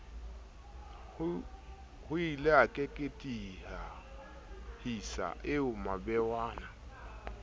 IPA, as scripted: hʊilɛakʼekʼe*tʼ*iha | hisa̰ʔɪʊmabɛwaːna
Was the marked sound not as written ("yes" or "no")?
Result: no